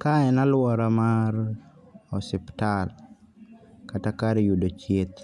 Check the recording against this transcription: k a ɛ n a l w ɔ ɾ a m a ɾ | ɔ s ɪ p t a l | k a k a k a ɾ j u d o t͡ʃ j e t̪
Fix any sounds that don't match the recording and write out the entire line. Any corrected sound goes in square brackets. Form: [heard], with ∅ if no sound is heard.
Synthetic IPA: k a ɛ n a l w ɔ ɾ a m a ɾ | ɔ s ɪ p t a l | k a [t] a k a ɾ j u d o t͡ʃ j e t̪